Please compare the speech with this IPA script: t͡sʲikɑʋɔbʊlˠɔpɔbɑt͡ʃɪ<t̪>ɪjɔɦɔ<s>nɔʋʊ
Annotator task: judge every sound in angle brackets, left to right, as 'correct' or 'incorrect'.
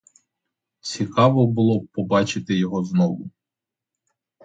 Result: correct, incorrect

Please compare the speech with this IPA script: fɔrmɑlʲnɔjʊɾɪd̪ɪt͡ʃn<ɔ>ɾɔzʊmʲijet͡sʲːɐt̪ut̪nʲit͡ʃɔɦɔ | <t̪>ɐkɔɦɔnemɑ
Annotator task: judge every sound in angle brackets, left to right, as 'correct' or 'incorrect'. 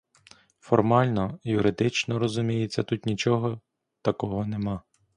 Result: correct, correct

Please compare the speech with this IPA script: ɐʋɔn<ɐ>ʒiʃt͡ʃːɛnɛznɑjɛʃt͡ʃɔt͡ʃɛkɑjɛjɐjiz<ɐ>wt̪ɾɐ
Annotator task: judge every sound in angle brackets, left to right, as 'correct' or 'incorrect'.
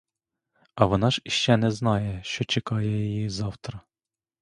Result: incorrect, incorrect

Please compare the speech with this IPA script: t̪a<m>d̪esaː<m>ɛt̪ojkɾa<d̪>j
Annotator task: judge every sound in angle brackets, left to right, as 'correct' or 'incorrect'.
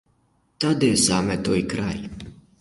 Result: incorrect, correct, incorrect

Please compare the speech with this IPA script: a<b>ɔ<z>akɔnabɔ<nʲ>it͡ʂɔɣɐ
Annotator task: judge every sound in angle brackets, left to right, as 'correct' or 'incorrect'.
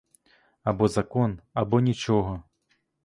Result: correct, correct, correct

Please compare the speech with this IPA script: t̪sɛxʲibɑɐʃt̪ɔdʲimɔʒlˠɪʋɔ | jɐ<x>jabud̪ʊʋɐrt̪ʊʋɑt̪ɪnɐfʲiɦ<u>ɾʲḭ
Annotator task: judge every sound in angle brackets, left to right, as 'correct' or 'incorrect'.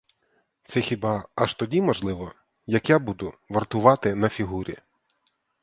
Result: incorrect, correct

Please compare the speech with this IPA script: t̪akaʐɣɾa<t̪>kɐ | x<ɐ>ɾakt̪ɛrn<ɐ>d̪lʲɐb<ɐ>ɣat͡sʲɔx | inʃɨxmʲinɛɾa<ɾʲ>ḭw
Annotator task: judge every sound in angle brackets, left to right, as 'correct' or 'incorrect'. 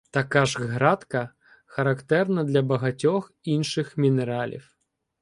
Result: correct, correct, correct, correct, incorrect

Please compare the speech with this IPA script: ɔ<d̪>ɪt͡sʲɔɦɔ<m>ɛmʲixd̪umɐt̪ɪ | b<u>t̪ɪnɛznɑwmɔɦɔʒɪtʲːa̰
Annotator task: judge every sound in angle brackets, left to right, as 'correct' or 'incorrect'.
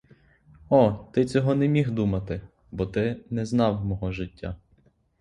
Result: incorrect, incorrect, incorrect

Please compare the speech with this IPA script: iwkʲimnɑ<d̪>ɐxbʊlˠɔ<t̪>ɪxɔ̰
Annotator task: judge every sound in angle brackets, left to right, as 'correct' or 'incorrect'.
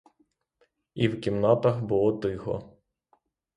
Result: incorrect, incorrect

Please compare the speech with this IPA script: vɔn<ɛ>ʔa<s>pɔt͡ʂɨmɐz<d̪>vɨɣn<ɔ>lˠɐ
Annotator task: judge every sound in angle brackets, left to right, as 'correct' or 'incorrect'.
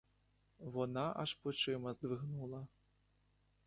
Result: incorrect, incorrect, correct, incorrect

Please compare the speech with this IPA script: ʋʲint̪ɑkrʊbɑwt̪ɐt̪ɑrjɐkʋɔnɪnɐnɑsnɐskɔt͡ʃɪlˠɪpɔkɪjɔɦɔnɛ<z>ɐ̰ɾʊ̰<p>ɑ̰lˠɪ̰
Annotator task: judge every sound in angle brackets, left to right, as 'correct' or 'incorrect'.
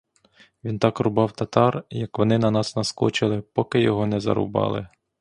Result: correct, incorrect

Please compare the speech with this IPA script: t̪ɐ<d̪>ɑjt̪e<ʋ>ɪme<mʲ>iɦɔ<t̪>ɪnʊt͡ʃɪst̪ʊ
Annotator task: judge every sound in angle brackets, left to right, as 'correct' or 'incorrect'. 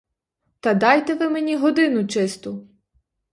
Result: correct, correct, incorrect, incorrect

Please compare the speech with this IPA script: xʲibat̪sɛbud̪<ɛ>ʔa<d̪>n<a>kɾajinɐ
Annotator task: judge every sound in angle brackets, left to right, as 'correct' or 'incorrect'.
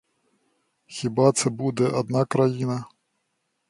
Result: correct, correct, correct

